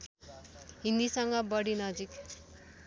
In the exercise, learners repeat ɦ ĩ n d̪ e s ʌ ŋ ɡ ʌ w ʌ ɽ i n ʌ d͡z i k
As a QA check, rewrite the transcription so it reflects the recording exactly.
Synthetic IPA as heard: ɦ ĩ n d̪ i s ʌ ŋ ɡ ʌ b ʌ ɽ i n ʌ d͡z i k